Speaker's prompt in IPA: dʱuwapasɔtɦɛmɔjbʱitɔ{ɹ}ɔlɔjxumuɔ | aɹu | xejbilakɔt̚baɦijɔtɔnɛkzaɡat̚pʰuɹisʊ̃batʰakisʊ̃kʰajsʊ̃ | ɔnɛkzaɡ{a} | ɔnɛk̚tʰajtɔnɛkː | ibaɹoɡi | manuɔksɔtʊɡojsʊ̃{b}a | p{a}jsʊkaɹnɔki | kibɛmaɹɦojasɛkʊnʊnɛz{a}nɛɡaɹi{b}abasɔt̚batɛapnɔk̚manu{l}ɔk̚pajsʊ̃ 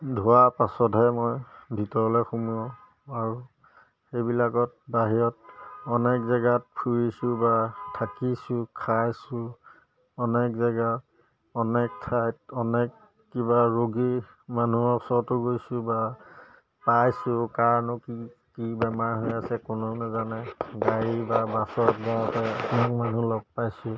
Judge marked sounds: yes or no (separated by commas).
yes, yes, yes, yes, yes, yes, yes